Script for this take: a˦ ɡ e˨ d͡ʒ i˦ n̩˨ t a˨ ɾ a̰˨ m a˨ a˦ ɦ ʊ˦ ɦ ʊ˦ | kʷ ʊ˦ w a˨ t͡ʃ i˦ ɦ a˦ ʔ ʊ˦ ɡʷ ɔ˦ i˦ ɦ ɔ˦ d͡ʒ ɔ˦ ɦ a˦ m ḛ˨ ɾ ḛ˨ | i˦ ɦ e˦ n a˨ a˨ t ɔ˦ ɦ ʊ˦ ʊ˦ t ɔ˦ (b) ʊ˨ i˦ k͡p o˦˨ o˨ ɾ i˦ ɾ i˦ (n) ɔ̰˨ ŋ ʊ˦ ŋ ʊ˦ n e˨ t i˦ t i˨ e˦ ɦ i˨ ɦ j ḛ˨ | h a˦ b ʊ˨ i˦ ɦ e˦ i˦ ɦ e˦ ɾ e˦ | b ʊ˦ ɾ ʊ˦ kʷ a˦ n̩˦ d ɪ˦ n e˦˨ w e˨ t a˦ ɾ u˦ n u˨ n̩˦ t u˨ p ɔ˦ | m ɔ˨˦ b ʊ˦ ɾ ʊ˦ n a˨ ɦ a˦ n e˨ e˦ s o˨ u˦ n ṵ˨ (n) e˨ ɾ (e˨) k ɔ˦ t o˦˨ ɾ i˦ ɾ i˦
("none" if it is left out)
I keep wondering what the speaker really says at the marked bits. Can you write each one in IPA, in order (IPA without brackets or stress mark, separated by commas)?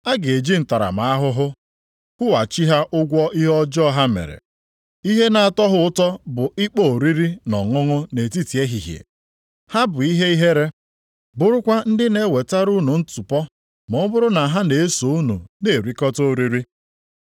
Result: b, n, n, i˨